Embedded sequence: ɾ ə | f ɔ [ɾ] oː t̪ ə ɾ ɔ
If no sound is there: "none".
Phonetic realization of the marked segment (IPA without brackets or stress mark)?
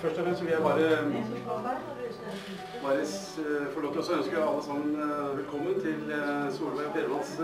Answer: ɭ